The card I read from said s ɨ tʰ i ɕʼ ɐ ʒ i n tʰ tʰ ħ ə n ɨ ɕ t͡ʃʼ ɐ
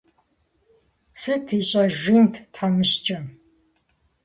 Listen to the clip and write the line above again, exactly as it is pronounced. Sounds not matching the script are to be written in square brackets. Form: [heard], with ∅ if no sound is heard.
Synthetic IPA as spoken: s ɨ tʰ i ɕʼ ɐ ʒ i n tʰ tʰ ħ [a] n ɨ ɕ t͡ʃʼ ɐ